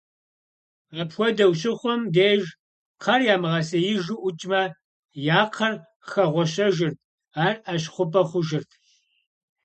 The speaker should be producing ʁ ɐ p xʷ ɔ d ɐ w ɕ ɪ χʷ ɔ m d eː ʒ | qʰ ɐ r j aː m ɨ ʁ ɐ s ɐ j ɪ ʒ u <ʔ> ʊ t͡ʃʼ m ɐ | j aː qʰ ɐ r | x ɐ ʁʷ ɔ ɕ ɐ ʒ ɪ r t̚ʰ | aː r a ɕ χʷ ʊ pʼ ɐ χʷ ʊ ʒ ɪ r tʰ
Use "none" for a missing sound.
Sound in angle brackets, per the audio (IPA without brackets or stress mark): ʔ